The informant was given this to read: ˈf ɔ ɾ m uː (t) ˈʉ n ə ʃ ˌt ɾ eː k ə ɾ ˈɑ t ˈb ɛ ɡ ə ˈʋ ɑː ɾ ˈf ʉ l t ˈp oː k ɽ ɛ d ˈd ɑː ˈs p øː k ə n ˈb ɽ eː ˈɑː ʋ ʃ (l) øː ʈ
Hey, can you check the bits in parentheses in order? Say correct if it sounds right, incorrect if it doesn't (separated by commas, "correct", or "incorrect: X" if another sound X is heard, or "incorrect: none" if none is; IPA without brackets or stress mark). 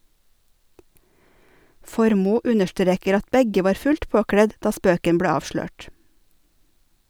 incorrect: none, correct